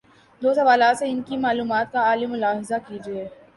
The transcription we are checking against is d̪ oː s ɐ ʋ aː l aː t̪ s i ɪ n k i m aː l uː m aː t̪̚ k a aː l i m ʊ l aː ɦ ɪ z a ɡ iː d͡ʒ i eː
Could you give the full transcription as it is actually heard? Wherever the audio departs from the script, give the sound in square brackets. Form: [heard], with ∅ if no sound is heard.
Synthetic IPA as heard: d̪ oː s ɐ ʋ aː l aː t̪ s [e] ɪ n k i m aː l uː m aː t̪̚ k a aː l i m ʊ l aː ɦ ɪ z a [k] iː d͡ʒ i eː